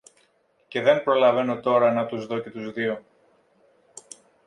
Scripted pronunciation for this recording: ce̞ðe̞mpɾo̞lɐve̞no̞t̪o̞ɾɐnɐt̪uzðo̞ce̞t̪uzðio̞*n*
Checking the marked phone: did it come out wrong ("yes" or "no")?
yes